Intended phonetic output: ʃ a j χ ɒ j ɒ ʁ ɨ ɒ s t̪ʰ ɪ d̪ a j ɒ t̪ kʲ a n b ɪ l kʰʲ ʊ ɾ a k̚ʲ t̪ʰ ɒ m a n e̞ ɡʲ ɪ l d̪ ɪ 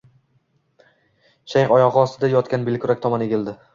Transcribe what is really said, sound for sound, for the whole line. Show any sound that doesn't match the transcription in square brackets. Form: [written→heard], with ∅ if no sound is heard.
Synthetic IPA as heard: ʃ a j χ ɒ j ɒ ʁ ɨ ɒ s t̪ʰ ɪ d̪ a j ɒ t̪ kʲ a n b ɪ l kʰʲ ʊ ɾ a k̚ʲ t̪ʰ ɒ m a n e̞ ɡʲ ɪ l d̪ ɪ